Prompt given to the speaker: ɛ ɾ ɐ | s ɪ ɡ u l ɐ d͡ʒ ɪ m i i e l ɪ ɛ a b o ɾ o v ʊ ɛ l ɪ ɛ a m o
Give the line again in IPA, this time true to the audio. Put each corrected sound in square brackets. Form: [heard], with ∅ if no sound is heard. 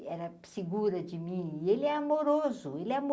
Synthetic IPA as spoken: ɛ ɾ ɐ | s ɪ ɡ u [ɾ] ɐ d͡ʒ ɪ m [ĩ] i e l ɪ ɛ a [m] o ɾ o [z] ʊ [e] l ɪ ɛ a m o